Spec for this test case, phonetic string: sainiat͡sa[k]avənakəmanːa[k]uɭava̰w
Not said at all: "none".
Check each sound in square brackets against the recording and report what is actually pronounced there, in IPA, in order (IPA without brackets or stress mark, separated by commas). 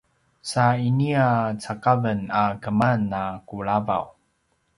k, k